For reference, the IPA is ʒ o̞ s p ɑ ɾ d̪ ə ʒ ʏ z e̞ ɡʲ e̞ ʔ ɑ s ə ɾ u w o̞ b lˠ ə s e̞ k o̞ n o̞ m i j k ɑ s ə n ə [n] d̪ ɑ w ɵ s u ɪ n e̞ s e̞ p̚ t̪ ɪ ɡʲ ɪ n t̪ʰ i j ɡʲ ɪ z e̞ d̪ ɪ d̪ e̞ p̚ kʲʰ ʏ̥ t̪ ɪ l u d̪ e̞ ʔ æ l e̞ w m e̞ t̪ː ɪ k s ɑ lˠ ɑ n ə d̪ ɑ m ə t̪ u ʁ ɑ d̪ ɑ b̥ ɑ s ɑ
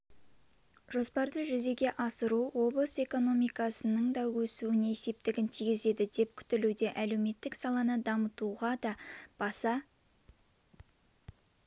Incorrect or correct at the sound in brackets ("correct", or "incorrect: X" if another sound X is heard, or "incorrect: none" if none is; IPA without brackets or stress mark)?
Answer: incorrect: ɴ